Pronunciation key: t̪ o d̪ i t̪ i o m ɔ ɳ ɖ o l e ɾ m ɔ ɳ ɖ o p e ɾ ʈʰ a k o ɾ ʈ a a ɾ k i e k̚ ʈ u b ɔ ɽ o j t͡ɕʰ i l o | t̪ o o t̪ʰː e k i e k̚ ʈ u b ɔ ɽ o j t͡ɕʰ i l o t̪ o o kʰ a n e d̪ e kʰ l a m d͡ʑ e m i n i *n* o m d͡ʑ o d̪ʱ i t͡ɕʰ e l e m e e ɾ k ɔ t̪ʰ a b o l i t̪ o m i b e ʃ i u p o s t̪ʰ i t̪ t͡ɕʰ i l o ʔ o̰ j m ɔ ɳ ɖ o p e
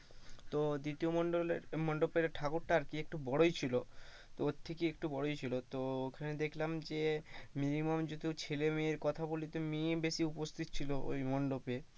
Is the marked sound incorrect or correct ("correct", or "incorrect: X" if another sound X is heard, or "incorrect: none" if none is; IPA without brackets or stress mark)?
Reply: incorrect: m